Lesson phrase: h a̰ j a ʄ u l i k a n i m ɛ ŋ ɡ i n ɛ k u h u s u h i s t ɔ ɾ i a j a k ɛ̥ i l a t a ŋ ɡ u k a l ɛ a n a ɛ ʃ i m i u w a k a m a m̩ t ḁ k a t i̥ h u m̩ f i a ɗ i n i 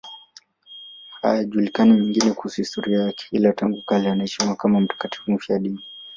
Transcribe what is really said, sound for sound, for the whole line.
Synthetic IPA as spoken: h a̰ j a ʄ u l i k a n i m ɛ ŋ ɡ i n ɛ k u h u s u h i s t ɔ ɾ i a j a k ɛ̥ i l a t a ŋ ɡ u k a l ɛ a n a ɛ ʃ i m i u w a k a m a m̩ t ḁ k a t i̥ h u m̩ f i a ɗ i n i

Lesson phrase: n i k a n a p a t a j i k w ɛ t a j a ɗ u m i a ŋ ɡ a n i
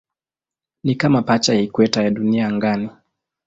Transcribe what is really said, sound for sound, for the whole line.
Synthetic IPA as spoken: n i k a m a p a t͡ʃ a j i k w ɛ t a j a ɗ u n i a ŋ ɡ a n i

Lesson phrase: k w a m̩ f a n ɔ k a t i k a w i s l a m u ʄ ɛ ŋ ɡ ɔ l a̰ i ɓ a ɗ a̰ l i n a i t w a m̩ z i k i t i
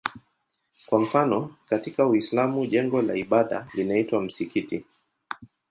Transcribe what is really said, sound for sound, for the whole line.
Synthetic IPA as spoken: k w a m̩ f a n ɔ k a t i k a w i s l a m u ʄ ɛ ŋ ɡ ɔ l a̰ i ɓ a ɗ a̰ l i n a i t w a m̩ s i k i t i

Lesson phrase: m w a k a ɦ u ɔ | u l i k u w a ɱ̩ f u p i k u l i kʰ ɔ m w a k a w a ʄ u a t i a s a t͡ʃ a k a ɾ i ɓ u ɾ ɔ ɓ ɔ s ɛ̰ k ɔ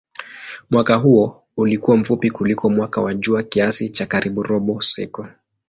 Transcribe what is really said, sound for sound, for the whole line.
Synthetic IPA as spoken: m w a k a ɦ u ɔ | u l i k u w a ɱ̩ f u p i k u l i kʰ ɔ m w a k a w a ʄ u a k i a s i t͡ʃ a k a ɾ i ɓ u ɾ ɔ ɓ ɔ s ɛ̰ k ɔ

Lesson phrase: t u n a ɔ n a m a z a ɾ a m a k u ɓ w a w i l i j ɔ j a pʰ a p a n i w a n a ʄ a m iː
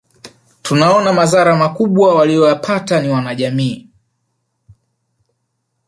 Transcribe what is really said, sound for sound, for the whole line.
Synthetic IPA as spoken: t u n a ɔ n a m a z a ɾ a m a k u ɓ w a w a l i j ɔ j a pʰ a t a n i w a n a ʄ a m iː

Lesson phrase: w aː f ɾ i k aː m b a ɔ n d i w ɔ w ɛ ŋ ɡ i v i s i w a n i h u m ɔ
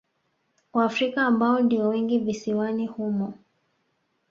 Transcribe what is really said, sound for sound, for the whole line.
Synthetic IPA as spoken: w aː f ɾ i k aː m b a ɔ n d i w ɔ w ɛ ŋ ɡ i v i s i w a n i h u m ɔ

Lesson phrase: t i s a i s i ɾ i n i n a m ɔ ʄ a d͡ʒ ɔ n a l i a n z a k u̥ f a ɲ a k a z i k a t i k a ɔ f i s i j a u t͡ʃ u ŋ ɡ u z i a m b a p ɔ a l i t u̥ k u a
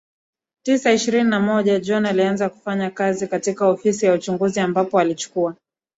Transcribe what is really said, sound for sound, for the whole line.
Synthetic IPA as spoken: t i s a i ʃ i ɾ i n i n a m ɔ ʄ a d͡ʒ ɔ n a l i a n z a k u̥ f a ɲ a k a z i k a t i k a ɔ f i s i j a u t͡ʃ u ŋ ɡ u z i a m b a p ɔ a l i t͡ʃ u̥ k u a

